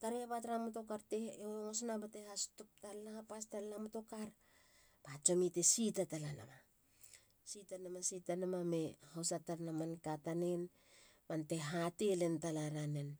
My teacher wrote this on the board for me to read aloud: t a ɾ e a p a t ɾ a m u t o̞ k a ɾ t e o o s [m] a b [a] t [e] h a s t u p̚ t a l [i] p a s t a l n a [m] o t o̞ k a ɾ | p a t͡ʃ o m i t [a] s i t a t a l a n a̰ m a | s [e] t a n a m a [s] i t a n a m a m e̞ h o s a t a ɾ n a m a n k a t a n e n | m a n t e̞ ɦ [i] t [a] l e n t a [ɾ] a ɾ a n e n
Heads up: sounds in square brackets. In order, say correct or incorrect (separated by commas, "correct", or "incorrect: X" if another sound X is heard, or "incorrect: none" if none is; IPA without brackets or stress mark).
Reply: incorrect: n, correct, correct, incorrect: a, correct, incorrect: e, incorrect: i, correct, incorrect: a, incorrect: e, incorrect: l